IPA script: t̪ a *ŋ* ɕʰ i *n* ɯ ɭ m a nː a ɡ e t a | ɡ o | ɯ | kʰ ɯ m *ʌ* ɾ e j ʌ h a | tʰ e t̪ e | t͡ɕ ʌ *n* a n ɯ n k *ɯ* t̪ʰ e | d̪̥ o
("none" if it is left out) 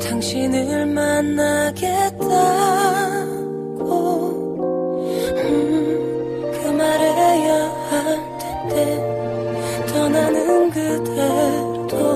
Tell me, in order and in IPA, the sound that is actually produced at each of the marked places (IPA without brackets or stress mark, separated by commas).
ŋ, n, a, n, ɯ